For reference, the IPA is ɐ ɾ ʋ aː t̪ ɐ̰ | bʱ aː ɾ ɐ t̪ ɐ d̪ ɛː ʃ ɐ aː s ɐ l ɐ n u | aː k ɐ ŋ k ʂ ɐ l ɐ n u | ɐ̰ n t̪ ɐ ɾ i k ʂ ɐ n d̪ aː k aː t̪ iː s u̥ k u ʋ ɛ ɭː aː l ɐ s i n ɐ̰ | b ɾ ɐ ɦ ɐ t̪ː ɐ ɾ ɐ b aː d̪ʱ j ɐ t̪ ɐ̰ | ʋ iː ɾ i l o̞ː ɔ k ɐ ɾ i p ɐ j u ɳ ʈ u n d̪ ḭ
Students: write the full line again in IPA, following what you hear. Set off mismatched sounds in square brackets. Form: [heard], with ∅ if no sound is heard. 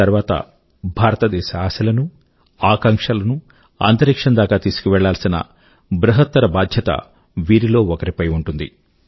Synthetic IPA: ɐ ɾ ʋ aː t̪ ɐ̰ | bʱ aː ɾ ɐ t̪ ɐ d̪ ɛː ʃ ɐ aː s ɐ l ɐ n u | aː k ɐ ŋ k ʂ ɐ l ɐ n u | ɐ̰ n t̪ ɐ ɾ i k ʂ ɐ n d̪ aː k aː t̪ iː s u̥ k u ʋ ɛ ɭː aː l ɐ s i n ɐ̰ | b ɾ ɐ ɦ ɐ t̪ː ɐ ɾ ɐ b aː d̪ʱ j ɐ t̪ ɐ̰ | ʋ iː ɾ i l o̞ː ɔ k ɐ ɾ i p ɐ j u ɳ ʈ u n d̪ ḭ